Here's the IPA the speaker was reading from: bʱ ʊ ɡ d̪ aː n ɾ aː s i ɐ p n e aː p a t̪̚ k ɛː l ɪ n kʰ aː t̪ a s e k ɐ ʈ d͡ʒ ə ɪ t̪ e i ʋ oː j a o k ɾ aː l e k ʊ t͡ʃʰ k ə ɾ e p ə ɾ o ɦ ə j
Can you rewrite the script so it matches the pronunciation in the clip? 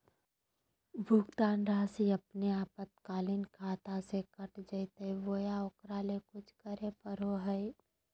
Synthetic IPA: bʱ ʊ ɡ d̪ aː n ɾ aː s i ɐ p n e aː p ə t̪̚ k aː l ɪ n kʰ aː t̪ a s e k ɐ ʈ d͡ʒ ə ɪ t̪ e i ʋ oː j a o k ɾ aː l e k ʊ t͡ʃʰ k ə ɾ e p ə ɾ o ɦ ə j